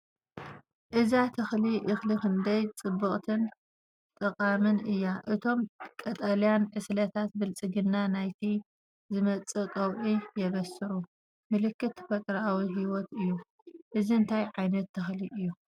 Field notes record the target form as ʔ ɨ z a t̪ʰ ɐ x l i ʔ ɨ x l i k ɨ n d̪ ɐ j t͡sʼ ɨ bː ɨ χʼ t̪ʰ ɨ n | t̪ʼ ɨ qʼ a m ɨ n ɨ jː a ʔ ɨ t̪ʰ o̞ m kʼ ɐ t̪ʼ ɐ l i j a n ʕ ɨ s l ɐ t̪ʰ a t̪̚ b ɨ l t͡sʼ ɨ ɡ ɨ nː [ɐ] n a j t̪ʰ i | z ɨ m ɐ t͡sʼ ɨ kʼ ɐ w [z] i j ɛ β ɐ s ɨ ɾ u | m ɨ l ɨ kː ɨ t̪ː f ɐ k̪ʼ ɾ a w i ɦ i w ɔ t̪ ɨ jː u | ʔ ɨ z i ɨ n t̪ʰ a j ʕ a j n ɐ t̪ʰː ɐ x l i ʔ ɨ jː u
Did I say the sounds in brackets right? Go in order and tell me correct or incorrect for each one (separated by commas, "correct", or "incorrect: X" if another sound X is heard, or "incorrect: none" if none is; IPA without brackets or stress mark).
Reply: incorrect: a, incorrect: ʕ